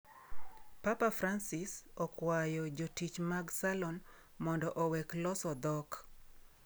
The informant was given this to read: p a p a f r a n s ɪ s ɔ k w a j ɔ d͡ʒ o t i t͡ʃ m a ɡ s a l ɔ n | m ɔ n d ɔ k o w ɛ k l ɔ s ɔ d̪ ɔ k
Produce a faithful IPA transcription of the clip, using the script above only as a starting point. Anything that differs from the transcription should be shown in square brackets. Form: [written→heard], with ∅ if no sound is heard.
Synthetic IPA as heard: p a p a f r a n s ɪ s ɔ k w a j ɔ d͡ʒ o t i t͡ʃ m a ɡ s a l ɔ n | m ɔ n d ɔ [k→ʔ] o w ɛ k l ɔ s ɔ d̪ ɔ k